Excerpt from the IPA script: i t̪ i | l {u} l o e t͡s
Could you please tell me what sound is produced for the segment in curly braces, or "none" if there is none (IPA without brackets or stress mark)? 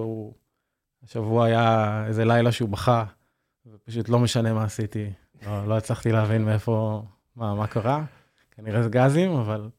o